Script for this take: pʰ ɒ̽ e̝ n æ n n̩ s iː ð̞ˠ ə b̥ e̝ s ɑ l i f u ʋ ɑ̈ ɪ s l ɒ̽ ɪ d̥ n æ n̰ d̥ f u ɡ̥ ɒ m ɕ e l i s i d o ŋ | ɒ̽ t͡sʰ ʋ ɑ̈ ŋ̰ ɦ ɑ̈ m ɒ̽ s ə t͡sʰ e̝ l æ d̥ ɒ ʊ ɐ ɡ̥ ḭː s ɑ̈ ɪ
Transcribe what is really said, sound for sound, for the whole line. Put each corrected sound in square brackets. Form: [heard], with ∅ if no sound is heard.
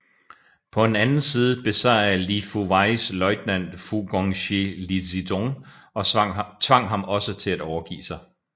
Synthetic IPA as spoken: pʰ ɒ̽ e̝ n æ n n̩ s iː ð̞ˠ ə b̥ e̝ s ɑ l i f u ʋ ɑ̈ ɪ s l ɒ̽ ɪ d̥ n æ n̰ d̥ f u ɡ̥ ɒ [ŋ] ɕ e l i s i d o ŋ | ɒ̽ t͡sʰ ʋ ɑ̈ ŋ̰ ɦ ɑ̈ m ɒ̽ s ə t͡sʰ e̝ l æ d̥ ɒ ʊ ɐ ɡ̥ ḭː s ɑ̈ ɪ